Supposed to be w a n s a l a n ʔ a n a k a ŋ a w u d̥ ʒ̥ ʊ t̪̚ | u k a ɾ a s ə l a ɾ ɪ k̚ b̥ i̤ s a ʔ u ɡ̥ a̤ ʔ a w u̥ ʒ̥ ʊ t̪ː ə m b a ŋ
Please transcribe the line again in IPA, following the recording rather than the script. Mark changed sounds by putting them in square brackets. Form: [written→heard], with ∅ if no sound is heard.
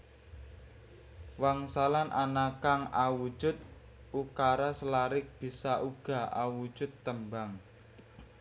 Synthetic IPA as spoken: w a [n→ŋ] s a l a n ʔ a n a k a ŋ a w u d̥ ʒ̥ ʊ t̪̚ | u k a ɾ a s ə l a ɾ ɪ k̚ b̥ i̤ s a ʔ u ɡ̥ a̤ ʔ a w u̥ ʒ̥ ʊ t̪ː ə m b a ŋ